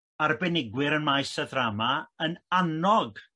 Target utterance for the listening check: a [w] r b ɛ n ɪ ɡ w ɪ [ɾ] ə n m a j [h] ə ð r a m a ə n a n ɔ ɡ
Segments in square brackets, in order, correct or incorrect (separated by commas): incorrect, correct, incorrect